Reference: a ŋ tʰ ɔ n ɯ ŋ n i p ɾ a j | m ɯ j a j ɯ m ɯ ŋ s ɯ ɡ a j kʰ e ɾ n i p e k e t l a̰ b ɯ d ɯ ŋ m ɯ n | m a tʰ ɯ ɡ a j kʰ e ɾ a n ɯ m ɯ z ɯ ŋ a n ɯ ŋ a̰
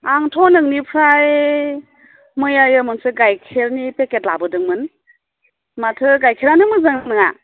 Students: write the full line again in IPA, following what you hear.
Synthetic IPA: a ŋ tʰ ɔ n ɯ ŋ n i pʰ ɾ a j | m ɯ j a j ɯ m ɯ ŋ s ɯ ɡ a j kʰ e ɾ n i p e k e t l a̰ b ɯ d ɯ ŋ m ɯ n | m a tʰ ɯ ɡ a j kʰ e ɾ a n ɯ m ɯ z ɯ ŋ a n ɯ ŋ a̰